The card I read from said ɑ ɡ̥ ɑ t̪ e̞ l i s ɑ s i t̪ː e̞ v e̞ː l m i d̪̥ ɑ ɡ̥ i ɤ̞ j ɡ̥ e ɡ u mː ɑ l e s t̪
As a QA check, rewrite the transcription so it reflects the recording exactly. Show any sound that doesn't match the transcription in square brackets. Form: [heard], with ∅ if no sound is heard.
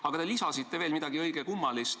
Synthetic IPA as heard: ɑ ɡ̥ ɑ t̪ e̞ l i s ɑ s i t̪ː e̞ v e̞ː l m i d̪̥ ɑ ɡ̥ i ɤ̞ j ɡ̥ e [k] u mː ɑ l [i] s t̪